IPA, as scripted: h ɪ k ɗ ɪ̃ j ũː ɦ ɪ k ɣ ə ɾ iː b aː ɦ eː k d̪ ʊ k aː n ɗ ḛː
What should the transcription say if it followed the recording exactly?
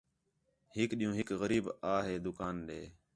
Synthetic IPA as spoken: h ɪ k ɗ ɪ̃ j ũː ɦ ɪ k ɣ ə ɾ iː b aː ɦ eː d̪ ʊ k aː n ɗ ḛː